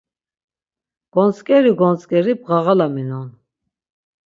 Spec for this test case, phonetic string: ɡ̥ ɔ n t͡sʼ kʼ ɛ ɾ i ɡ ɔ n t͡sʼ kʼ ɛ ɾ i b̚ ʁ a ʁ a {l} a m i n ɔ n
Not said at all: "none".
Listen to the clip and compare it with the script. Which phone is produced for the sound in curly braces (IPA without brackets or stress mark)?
l